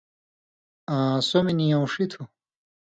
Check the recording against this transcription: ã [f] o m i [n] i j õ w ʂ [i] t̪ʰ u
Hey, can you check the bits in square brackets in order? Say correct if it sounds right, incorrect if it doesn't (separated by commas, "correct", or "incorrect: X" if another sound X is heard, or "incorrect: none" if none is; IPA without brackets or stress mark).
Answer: incorrect: s, correct, correct